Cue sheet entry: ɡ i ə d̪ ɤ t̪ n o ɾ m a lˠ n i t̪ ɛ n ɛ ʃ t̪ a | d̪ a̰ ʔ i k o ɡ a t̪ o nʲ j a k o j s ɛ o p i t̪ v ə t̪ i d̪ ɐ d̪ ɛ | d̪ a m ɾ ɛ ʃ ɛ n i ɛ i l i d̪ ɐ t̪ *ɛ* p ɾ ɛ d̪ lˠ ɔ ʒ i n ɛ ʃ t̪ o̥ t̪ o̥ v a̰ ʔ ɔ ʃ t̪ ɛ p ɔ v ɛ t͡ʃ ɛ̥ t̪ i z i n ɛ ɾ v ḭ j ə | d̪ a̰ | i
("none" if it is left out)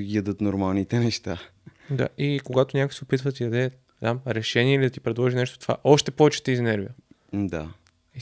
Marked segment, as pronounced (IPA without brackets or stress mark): i